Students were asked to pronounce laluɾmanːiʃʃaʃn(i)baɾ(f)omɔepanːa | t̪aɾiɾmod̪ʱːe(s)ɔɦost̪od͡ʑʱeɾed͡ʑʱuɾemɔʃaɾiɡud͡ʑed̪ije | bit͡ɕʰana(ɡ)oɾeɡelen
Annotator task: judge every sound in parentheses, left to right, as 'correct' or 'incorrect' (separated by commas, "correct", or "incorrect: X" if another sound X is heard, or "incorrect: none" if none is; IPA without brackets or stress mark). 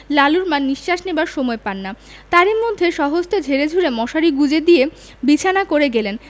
incorrect: e, incorrect: ʃ, incorrect: ʃ, incorrect: k